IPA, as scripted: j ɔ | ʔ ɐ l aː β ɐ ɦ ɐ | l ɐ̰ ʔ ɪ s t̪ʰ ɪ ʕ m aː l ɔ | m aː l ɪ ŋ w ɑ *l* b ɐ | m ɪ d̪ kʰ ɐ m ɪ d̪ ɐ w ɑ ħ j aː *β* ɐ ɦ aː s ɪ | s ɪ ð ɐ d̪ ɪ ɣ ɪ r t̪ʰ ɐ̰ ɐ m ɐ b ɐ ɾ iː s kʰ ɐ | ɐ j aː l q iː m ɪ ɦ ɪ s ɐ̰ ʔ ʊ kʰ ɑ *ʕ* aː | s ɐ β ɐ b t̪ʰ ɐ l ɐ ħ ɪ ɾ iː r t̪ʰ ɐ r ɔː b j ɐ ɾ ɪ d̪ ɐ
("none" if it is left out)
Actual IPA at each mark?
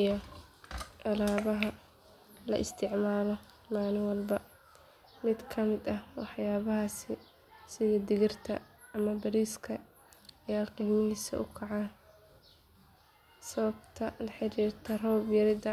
l, β, ʕ

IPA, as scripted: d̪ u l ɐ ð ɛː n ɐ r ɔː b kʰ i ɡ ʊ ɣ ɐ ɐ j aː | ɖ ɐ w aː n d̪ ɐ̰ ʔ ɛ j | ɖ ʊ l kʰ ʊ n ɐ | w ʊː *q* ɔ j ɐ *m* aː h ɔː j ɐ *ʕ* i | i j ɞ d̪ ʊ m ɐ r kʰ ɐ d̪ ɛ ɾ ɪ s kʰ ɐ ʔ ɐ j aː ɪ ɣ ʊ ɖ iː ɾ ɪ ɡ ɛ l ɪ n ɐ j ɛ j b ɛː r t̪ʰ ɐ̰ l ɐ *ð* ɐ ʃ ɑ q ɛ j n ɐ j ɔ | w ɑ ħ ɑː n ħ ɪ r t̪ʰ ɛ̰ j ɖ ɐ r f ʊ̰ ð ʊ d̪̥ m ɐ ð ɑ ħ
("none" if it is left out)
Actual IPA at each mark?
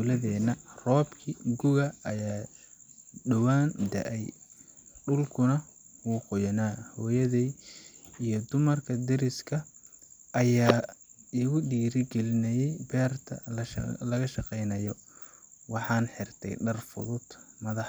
q, n, ð, ɣ

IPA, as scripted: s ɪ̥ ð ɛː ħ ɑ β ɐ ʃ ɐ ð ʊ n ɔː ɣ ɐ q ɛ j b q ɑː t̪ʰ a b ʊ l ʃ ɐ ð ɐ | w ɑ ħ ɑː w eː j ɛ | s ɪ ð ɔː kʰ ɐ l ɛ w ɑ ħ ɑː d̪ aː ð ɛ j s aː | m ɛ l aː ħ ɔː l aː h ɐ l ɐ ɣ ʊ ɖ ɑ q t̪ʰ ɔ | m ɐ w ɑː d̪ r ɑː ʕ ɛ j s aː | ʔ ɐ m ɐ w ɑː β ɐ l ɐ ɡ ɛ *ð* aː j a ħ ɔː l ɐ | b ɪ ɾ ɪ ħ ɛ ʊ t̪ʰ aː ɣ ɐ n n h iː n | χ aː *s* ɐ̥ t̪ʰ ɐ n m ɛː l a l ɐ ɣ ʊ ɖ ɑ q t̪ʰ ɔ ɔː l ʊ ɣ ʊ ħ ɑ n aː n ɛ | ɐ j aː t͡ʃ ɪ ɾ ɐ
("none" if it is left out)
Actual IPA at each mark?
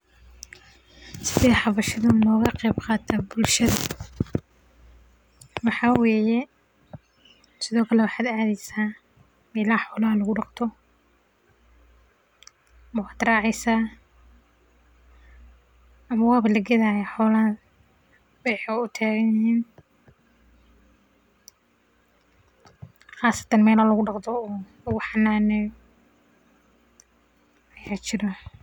ð, s

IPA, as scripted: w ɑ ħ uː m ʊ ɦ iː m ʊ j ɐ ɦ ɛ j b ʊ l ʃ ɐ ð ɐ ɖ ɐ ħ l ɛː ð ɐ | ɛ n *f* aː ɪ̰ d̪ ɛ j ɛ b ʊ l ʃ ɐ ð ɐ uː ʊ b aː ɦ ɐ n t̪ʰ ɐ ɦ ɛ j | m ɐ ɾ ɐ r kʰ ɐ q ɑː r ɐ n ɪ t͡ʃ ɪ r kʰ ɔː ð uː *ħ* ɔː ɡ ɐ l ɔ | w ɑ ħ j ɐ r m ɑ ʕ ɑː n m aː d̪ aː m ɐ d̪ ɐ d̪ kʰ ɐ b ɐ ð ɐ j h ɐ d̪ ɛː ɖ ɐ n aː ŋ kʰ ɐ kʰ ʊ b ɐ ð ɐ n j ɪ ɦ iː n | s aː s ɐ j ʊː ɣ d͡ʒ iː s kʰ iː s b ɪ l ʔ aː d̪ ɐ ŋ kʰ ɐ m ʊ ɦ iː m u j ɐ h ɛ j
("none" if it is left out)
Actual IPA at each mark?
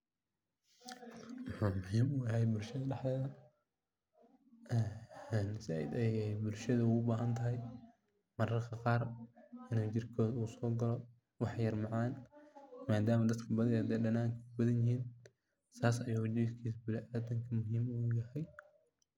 s, s

